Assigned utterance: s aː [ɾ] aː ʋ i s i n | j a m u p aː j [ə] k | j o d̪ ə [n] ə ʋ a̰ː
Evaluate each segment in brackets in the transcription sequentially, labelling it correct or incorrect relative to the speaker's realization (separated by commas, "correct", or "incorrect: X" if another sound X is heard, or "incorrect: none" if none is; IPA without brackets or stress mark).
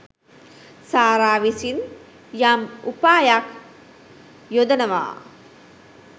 correct, incorrect: a, correct